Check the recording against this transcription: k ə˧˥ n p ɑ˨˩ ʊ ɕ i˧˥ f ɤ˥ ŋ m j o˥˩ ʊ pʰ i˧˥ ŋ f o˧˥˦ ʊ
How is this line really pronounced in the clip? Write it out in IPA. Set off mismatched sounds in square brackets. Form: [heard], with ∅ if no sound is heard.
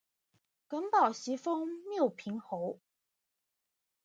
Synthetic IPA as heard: k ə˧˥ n p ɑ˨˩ ʊ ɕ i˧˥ f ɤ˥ ŋ m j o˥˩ ʊ pʰ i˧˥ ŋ [x] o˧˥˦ ʊ